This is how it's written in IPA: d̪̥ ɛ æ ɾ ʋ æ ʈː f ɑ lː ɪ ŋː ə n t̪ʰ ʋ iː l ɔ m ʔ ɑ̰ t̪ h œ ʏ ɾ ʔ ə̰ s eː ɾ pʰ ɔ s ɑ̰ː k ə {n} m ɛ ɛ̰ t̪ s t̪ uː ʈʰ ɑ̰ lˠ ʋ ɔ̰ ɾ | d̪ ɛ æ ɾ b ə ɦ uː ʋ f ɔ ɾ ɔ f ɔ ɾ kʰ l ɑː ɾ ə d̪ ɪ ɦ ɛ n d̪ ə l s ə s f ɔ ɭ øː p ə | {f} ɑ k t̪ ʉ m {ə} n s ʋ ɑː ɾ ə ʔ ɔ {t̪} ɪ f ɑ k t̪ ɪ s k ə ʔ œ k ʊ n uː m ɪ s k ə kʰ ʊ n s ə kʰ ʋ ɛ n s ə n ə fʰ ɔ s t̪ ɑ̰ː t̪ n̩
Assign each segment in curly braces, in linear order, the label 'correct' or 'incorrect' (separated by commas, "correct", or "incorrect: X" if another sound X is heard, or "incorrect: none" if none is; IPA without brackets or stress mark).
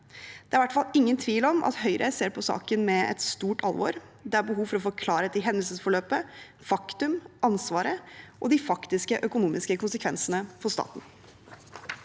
correct, correct, incorrect: ɑ, incorrect: d̪